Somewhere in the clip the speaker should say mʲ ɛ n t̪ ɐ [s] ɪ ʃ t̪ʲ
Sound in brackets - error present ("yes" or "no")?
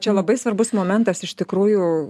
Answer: no